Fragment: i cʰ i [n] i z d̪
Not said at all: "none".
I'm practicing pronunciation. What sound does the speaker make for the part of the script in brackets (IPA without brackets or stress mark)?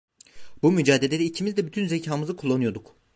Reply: m